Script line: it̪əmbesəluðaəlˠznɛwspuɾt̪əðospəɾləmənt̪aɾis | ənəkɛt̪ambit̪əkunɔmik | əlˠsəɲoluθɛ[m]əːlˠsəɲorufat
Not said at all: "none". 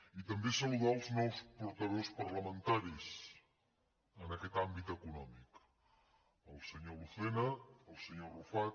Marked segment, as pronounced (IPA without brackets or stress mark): n